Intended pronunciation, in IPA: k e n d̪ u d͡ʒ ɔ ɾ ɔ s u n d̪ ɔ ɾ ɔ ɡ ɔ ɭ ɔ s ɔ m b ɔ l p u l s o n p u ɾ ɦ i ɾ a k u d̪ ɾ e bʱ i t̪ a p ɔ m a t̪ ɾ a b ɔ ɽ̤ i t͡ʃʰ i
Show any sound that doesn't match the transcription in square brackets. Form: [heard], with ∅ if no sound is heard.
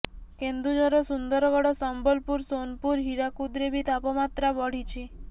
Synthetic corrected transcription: k e n d̪ u d͡ʒ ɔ ɾ ɔ s u n d̪ ɔ ɾ ɔ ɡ ɔ [ɽ] ɔ s ɔ m b ɔ l p u [ɾ] s o n p u ɾ ɦ i ɾ a k u d̪ ɾ e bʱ i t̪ a p ɔ m a t̪ ɾ a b ɔ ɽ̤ i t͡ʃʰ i